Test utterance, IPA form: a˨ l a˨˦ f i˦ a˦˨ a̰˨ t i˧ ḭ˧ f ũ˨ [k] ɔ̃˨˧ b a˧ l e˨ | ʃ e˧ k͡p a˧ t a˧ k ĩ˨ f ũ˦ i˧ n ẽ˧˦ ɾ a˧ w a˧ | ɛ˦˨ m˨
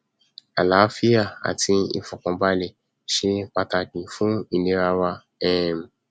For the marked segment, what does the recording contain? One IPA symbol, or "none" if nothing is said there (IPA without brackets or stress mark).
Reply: k